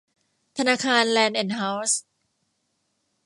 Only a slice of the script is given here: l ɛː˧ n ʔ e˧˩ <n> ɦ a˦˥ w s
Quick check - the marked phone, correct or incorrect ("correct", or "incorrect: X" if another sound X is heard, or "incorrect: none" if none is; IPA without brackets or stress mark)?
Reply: correct